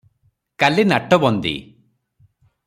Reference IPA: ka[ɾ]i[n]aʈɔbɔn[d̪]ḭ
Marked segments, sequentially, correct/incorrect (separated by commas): incorrect, correct, correct